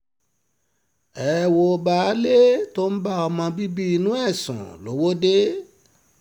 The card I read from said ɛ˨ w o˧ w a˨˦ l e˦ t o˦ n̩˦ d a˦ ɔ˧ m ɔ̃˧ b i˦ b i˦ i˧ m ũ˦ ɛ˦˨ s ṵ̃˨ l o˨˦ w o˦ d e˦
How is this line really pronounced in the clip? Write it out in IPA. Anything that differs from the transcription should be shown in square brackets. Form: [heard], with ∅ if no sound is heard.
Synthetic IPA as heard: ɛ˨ w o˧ [b] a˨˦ l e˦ t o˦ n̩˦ [b] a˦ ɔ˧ m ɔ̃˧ b i˦ b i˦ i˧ [n] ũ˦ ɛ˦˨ s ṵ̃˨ l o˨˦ w o˦ d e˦